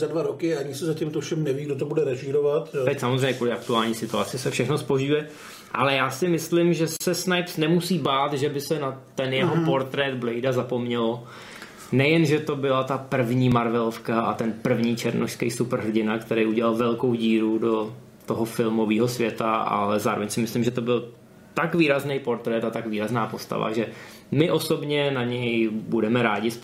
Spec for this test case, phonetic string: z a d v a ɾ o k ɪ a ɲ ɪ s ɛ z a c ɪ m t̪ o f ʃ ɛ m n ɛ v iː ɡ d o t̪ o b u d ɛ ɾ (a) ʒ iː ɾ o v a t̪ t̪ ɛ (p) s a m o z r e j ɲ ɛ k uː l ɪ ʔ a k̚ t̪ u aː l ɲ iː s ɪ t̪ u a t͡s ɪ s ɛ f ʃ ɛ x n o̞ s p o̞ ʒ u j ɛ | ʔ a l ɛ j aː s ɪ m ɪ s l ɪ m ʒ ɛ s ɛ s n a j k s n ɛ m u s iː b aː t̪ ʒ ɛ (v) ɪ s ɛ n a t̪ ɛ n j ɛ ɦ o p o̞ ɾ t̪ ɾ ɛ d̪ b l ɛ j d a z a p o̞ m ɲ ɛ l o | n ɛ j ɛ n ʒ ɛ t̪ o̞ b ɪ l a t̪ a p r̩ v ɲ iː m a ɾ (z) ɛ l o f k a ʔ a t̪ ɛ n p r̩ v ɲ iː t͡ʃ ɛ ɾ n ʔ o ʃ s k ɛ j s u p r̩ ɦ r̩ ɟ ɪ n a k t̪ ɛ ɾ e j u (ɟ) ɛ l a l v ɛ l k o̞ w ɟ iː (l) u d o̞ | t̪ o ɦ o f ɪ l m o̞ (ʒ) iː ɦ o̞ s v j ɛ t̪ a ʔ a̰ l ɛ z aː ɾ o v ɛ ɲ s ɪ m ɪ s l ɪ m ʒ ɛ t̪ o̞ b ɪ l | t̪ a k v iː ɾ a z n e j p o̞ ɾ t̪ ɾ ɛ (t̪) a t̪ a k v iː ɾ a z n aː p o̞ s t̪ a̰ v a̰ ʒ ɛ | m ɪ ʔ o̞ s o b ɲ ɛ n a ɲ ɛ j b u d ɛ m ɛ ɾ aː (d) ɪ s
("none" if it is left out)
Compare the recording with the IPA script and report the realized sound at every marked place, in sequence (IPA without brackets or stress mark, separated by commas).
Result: ɛ, c, b, v, ɟ, ɾ, v, t̪, ɟ